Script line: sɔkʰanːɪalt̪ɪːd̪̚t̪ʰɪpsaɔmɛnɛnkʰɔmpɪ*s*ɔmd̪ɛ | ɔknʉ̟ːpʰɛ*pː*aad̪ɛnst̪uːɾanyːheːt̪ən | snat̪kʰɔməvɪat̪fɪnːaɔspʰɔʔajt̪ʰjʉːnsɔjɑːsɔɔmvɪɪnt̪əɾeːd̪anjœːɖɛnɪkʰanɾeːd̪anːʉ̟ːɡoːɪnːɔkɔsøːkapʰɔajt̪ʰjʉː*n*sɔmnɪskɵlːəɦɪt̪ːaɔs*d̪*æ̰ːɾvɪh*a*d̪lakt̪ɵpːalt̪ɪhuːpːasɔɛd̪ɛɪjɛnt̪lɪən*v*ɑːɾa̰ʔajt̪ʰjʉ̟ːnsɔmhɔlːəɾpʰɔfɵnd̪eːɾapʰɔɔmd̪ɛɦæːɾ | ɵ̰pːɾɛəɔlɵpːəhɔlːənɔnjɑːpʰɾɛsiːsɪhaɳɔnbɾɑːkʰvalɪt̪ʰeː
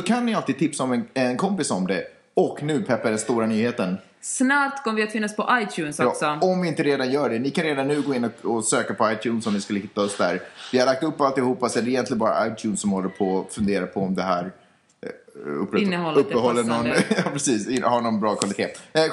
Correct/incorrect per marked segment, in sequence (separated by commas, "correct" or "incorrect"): correct, correct, correct, correct, correct, incorrect